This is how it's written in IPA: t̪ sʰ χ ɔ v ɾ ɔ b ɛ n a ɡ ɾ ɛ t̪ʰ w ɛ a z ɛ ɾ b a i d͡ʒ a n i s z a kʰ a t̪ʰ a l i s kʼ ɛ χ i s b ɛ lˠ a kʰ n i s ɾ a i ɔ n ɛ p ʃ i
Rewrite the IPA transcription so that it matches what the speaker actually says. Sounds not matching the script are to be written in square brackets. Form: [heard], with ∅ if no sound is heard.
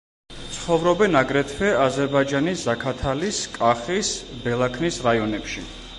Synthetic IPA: t̪ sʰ χ ɔ v ɾ ɔ b ɛ n a ɡ ɾ ɛ t̪ʰ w ɛ a z ɛ ɾ b a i d͡ʒ a n i s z a kʰ a t̪ʰ a l i s kʼ [a] χ i s b ɛ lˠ a kʰ n i s ɾ a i ɔ n ɛ p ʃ i